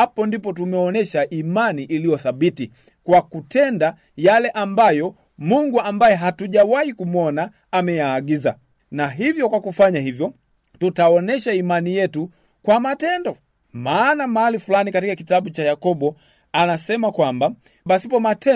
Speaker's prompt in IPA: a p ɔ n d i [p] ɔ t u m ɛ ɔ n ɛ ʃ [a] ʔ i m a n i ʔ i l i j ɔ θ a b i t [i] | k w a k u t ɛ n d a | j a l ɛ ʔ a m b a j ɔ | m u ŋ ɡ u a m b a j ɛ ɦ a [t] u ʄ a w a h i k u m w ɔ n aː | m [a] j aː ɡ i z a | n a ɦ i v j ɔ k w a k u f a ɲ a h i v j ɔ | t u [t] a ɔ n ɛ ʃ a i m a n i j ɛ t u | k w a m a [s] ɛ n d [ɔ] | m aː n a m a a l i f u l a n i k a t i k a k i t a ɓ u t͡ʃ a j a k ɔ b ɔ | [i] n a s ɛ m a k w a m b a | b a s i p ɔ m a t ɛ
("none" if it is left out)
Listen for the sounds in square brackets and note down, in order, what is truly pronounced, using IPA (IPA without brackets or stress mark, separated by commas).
p, a, i, t, ɛ, t, t, ɔ, a